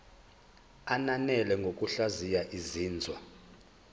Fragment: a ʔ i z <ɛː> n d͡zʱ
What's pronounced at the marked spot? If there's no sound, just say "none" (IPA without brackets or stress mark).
iː